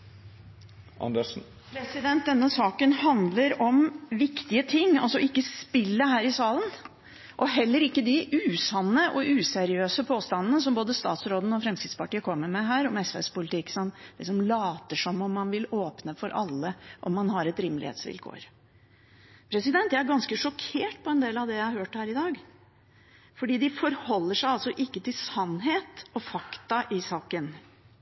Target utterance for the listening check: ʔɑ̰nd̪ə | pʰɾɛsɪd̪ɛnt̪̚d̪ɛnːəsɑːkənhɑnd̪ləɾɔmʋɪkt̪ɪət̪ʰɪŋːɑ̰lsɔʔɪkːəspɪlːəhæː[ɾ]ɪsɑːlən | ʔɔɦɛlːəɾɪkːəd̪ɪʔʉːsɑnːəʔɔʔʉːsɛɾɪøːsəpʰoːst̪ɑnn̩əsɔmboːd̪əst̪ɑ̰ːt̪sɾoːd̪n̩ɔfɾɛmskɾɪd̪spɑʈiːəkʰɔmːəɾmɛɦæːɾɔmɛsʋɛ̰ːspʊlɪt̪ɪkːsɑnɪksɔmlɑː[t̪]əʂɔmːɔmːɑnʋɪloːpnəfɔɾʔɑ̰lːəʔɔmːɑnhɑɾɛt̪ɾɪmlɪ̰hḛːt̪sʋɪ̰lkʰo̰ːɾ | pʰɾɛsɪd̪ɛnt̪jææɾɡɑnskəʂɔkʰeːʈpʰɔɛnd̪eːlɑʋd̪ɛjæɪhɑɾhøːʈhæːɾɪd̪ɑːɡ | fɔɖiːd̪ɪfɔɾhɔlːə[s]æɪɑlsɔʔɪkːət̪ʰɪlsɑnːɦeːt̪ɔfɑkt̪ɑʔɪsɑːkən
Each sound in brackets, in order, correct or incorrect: correct, correct, incorrect

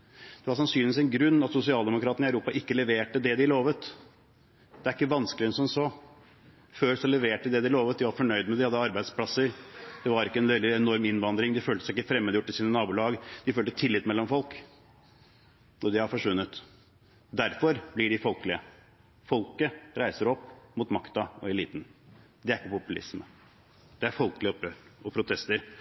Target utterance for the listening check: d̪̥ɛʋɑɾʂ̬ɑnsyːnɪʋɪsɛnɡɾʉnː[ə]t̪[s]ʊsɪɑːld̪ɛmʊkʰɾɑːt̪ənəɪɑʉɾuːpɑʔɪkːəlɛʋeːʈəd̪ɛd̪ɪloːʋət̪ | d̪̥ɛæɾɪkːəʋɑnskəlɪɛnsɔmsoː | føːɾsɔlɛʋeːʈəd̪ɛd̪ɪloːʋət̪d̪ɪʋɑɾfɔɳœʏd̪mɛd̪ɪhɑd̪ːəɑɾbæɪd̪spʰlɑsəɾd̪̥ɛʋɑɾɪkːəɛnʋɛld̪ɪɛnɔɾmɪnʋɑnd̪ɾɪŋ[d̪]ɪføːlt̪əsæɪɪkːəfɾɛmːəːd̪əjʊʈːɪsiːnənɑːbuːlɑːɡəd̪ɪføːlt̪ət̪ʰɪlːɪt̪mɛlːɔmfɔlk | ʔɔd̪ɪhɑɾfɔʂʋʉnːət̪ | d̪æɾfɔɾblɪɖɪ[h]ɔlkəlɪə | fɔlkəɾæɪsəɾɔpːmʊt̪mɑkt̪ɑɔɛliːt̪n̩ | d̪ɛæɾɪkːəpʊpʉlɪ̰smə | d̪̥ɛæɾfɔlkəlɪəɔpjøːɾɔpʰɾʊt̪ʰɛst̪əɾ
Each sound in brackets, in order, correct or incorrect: incorrect, correct, correct, incorrect

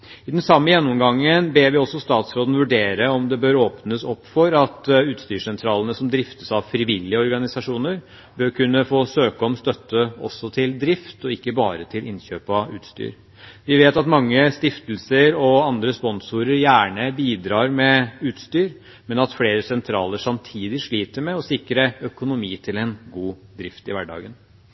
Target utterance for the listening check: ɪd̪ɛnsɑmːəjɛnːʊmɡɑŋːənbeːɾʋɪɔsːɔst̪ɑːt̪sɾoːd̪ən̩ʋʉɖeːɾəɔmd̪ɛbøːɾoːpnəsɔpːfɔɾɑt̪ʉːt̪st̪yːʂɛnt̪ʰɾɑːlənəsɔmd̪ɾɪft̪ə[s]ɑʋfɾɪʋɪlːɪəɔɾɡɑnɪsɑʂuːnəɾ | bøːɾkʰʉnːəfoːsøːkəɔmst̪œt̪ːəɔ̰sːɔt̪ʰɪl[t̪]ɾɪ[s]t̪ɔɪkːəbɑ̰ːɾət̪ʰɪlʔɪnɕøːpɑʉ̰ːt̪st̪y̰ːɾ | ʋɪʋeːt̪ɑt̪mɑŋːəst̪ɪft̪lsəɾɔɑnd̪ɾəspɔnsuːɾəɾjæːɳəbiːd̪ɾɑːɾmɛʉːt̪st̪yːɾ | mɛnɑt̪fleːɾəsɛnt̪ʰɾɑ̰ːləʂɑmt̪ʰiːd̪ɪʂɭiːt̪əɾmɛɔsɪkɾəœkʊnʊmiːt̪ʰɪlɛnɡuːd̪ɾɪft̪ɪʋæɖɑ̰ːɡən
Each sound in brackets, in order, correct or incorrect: correct, incorrect, incorrect

